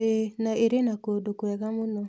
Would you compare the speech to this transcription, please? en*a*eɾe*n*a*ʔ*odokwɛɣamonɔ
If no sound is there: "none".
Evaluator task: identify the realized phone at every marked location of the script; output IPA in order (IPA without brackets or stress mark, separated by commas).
a, n, k